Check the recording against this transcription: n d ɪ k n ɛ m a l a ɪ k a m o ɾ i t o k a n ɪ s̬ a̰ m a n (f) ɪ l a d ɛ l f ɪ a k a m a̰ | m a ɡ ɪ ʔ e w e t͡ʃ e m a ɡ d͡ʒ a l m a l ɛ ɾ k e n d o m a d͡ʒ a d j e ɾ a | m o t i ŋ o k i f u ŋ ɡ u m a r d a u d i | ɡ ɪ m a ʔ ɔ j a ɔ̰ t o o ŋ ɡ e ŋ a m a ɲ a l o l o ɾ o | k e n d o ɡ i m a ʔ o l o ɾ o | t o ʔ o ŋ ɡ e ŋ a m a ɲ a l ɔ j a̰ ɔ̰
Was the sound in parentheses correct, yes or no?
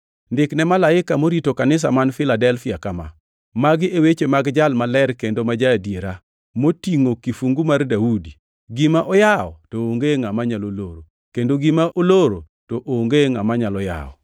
yes